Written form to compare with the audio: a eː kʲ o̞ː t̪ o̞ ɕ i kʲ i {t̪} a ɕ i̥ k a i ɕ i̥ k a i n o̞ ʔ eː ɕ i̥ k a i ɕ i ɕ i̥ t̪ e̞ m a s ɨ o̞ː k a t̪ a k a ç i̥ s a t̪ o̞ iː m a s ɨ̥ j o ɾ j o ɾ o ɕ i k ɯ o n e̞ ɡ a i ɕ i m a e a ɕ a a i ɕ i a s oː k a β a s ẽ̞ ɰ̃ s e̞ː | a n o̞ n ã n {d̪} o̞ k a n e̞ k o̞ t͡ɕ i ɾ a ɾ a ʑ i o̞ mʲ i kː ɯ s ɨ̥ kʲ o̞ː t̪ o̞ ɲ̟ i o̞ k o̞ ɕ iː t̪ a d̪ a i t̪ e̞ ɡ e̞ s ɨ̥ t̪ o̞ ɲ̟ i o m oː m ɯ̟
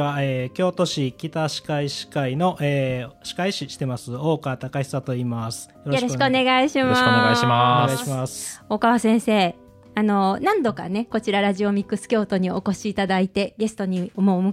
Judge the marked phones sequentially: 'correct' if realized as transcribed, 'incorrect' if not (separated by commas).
correct, correct